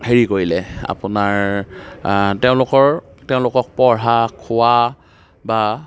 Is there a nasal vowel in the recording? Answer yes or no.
yes